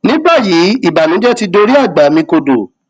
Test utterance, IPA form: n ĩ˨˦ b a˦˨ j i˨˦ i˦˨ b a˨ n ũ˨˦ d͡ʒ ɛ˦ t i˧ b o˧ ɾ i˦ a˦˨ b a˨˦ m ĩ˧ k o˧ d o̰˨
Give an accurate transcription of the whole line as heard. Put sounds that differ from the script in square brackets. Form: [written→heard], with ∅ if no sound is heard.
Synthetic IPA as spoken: n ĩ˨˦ b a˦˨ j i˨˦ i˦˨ b a˨ n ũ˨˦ d͡ʒ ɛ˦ t i˧ [b→d] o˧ ɾ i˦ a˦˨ [b→ɡ͡b] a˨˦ m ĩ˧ k o˧ d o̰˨

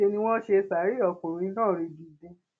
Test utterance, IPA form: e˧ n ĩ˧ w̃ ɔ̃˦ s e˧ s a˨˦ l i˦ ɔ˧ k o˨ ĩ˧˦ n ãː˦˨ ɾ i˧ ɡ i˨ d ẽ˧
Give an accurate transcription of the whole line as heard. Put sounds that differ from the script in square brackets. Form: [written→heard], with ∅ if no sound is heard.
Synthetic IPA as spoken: e˧ n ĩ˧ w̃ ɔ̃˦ [s→ʃ] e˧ s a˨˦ [l→ɾ] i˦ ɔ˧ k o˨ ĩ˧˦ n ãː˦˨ ɾ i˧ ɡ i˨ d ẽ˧

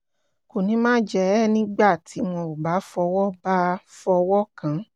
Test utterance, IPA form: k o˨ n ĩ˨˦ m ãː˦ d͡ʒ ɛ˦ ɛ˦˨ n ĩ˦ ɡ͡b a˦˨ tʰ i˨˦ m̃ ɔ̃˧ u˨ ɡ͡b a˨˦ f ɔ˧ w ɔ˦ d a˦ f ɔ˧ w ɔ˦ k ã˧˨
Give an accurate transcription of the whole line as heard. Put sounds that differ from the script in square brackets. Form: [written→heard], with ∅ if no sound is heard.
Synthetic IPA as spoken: k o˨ n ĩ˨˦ m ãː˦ d͡ʒ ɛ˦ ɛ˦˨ n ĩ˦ ɡ͡b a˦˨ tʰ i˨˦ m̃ ɔ̃˧ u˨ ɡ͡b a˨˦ f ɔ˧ w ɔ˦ [d→b] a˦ f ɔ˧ w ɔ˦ k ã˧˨

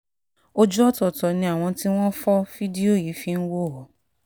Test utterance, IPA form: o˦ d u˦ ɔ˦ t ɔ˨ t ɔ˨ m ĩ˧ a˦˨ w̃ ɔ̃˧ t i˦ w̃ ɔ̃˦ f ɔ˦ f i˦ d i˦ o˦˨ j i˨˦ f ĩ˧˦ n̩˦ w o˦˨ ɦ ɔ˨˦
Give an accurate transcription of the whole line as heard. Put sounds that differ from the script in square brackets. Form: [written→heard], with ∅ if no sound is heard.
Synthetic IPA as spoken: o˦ [d→d͡ʒ] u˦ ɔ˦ t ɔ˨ t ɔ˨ [m→n] ĩ˧ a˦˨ w̃ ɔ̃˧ t i˦ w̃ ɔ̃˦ f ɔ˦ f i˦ d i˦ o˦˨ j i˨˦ f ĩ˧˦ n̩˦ w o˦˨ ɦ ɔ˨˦

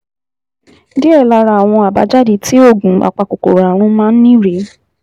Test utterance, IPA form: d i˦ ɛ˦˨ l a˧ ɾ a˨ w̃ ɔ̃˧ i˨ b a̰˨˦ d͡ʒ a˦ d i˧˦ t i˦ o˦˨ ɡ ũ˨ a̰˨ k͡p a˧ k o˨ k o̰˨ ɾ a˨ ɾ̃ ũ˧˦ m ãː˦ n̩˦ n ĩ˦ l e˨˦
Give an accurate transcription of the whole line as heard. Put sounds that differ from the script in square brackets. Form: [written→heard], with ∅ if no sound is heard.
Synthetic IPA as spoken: d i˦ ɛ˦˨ l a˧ ɾ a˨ w̃ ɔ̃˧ [i˨→a˨] b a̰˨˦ d͡ʒ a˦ d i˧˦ t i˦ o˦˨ ɡ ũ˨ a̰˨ k͡p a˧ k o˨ k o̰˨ ɾ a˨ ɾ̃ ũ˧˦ m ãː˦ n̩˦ n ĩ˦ [l→ɾ] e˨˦

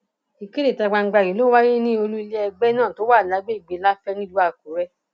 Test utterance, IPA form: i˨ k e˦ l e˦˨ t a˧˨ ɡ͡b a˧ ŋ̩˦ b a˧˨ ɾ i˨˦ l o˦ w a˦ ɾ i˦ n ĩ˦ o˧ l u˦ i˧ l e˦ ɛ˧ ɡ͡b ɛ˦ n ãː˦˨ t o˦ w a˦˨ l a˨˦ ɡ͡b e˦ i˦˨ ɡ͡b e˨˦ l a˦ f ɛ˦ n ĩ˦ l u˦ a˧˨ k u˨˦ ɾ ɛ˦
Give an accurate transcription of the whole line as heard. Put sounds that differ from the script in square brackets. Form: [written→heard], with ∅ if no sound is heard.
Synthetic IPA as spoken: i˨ k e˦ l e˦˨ t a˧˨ ɡ͡b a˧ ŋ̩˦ [b→ɡ͡b] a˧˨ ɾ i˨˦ l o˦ w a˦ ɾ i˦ n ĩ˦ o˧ l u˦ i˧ l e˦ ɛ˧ ɡ͡b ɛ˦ n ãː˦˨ t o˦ w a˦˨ l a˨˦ ɡ͡b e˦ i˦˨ ɡ͡b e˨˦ l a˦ f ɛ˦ n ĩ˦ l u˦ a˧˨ k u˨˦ ɾ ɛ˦

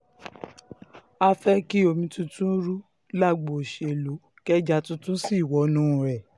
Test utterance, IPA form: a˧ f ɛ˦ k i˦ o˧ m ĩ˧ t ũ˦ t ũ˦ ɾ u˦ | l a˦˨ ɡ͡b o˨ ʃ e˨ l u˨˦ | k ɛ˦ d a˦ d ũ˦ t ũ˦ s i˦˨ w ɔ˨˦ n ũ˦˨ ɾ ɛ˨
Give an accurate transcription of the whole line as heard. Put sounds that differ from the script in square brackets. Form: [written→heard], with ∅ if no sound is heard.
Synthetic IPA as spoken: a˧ f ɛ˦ k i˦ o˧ m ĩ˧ t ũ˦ t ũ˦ ɾ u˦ | l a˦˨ ɡ͡b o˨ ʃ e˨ l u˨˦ | k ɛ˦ [d→d͡ʒ] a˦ [d→t] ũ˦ t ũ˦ s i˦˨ w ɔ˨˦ n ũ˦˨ ɾ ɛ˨

